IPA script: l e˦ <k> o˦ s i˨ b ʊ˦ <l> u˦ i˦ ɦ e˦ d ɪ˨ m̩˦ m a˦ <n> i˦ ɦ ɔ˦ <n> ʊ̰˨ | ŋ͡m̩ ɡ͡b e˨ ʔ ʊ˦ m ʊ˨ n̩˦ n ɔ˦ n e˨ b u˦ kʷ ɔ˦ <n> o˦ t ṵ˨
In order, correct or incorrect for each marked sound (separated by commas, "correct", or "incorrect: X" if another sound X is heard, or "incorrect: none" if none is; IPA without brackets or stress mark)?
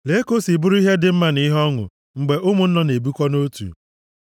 correct, incorrect: ɾ, correct, incorrect: ŋ, correct